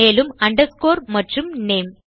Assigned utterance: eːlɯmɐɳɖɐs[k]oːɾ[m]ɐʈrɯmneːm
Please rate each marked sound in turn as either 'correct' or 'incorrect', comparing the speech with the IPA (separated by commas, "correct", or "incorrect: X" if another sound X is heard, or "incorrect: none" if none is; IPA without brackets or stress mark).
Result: correct, correct